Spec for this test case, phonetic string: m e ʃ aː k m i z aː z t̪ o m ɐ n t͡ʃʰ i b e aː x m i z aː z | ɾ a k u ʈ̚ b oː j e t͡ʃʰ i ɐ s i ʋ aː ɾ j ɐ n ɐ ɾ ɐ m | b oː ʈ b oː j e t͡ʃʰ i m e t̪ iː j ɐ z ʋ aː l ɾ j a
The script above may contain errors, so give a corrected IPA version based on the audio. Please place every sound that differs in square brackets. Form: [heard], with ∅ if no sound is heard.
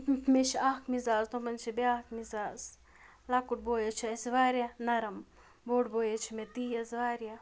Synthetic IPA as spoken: m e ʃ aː k m i z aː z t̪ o m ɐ n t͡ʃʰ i b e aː [k] m i z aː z | [l] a k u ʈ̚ b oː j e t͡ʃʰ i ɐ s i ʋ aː ɾ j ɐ n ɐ ɾ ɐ m | b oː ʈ b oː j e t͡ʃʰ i m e t̪ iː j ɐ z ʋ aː [∅] ɾ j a